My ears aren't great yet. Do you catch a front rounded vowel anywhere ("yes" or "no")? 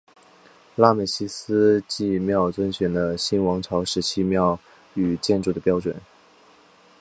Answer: yes